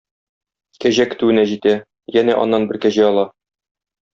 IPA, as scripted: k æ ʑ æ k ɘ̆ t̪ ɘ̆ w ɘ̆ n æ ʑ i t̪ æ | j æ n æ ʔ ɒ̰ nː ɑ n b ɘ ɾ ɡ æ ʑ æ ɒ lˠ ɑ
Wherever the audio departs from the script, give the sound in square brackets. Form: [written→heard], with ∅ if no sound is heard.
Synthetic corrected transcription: k æ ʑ æ k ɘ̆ t̪ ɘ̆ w ɘ̆ n æ ʑ i t̪ æ | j æ n æ ʔ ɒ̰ nː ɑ n b ɘ ɾ [ɡ→k] æ ʑ æ ɒ lˠ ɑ